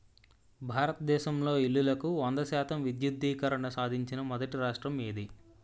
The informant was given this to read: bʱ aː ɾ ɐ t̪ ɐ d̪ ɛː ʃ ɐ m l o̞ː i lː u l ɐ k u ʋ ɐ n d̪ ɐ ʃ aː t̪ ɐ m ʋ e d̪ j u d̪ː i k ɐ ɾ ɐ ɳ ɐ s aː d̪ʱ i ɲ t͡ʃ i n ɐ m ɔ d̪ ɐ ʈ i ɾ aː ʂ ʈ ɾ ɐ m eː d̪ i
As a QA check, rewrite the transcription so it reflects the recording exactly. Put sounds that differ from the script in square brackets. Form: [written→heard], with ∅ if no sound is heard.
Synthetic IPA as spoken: bʱ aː ɾ ɐ t̪ ɐ d̪ ɛː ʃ ɐ m l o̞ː i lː u l ɐ k u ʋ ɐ n d̪ ɐ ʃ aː t̪ ɐ m ʋ [e→i] d̪ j u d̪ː [i→iː] k ɐ ɾ ɐ ɳ ɐ s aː d̪ʱ i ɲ t͡ʃ i n ɐ m ɔ d̪ ɐ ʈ i ɾ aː ʂ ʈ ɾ ɐ m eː d̪ i